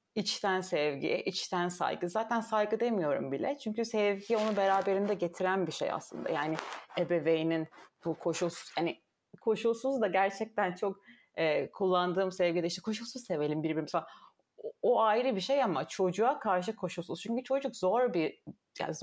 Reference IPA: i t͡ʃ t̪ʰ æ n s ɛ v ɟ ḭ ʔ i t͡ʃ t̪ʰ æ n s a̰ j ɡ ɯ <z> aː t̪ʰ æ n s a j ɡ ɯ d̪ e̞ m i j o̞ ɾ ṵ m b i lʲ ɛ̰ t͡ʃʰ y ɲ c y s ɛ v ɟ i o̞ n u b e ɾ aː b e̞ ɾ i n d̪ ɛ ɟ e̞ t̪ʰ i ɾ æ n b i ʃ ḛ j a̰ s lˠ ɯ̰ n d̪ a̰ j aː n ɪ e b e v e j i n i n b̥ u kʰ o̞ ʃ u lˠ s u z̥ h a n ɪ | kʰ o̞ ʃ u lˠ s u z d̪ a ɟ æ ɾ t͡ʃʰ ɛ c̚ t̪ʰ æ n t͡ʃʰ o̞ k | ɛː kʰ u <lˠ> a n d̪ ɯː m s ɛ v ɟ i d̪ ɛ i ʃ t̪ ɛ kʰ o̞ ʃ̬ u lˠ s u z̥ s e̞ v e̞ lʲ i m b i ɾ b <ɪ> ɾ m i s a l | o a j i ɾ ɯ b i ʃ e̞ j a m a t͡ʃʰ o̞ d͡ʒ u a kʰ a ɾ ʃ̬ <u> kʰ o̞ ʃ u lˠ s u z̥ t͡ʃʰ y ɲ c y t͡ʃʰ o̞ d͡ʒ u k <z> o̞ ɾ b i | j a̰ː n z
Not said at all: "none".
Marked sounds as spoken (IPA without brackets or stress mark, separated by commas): z, lˠː, i, ɯ, z